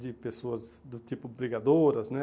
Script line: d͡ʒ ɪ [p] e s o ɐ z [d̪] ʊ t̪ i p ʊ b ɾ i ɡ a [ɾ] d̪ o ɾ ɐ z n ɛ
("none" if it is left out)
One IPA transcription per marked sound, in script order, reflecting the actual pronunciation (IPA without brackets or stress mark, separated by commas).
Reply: p, d̪, none